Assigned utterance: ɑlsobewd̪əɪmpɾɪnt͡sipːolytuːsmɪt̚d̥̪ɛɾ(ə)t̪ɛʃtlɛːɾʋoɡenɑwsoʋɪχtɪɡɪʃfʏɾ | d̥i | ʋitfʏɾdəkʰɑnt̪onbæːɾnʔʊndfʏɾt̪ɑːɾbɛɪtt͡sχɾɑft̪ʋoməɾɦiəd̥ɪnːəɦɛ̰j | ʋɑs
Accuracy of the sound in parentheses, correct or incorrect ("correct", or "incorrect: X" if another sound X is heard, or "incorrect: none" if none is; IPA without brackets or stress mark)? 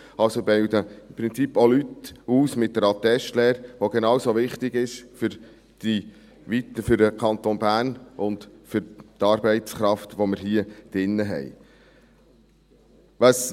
incorrect: ɑ